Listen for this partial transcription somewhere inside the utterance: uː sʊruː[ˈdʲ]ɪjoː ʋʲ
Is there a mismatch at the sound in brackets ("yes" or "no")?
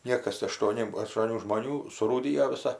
no